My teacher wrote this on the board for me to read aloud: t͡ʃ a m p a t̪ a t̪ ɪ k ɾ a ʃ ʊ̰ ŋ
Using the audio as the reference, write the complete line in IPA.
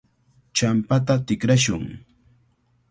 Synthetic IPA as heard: t͡ʃ a m p a t̪ a t̪ ɪ k ɾ a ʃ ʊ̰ ŋ